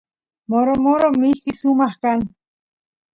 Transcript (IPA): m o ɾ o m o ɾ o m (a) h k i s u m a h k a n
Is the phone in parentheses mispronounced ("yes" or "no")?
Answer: yes